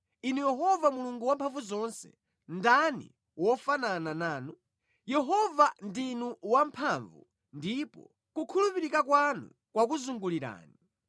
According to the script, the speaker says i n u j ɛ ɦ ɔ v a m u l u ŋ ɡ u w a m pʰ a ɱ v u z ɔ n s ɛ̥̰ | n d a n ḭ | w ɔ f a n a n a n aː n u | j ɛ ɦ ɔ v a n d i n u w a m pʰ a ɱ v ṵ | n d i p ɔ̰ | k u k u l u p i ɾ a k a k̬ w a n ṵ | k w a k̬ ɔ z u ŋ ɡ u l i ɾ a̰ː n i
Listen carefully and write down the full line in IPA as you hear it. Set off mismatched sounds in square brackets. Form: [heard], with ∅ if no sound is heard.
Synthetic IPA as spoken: i n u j ɛ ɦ ɔ v a m u l u ŋ ɡ u w a m pʰ a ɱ v u z ɔ n s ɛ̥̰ | n d a n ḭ | w ɔ f a n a n a n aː n u | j ɛ ɦ ɔ v a n d i n u w a m pʰ a ɱ v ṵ | n d i p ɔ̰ | k u [kʰ] u l u p i ɾ [i] k a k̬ w a n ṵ | k w a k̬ [u] z u ŋ ɡ u l i ɾ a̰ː n i